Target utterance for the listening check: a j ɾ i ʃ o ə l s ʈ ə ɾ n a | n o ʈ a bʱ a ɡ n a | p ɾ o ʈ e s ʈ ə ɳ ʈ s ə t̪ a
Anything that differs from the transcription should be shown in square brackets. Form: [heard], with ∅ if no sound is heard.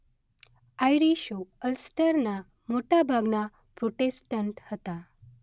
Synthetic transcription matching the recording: a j ɾ i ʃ o ə l s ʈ ə ɾ n a | [m] o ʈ a bʱ a ɡ n a | p ɾ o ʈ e s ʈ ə ɳ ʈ [h] ə t̪ a